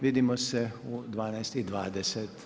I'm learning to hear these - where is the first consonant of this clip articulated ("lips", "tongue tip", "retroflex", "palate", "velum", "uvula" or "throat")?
lips